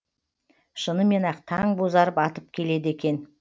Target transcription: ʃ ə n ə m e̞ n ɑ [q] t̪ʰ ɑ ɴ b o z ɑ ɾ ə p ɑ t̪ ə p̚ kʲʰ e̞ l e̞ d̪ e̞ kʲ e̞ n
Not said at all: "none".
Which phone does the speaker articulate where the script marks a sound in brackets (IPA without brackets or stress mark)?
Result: q